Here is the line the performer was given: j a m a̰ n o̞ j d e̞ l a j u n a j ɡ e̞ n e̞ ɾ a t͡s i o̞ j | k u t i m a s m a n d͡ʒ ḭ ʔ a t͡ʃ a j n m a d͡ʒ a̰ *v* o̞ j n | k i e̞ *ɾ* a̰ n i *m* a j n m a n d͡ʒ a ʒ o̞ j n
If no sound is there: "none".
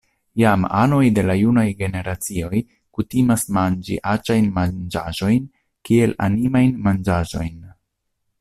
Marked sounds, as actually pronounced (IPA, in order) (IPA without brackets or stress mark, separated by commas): ʒ, l, m